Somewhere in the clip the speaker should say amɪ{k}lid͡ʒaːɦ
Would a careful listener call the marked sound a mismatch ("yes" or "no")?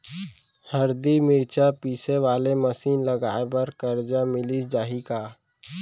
yes